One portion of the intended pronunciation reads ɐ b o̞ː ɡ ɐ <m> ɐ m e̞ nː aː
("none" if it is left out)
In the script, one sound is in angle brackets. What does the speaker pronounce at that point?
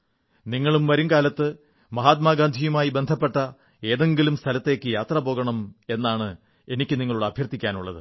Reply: ɳ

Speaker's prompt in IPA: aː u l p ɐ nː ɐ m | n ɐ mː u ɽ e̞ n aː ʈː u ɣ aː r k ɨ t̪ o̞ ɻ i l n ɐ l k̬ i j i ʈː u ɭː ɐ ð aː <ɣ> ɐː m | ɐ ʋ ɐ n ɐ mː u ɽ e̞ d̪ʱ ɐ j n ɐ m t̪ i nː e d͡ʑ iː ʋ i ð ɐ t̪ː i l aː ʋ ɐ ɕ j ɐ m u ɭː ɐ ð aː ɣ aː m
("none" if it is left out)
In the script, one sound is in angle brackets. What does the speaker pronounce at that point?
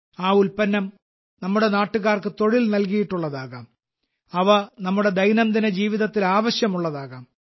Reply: ɣ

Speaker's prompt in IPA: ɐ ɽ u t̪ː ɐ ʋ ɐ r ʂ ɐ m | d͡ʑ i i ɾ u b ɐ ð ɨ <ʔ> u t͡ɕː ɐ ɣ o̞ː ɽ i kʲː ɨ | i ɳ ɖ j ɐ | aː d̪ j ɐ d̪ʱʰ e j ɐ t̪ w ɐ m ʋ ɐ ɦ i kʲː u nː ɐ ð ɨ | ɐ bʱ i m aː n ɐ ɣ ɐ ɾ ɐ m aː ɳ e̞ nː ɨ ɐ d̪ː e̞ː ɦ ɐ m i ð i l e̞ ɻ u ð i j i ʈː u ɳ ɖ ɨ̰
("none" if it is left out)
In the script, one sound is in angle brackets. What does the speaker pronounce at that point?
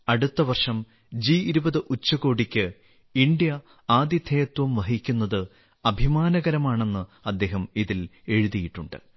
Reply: ʔ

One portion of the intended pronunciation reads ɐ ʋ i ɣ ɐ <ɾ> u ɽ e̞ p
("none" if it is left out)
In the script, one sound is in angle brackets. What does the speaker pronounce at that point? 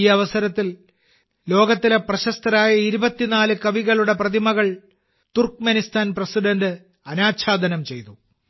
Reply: ɭ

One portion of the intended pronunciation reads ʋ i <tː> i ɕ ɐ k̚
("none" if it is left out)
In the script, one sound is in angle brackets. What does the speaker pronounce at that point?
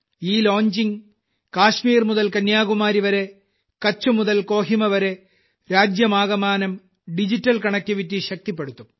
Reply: tː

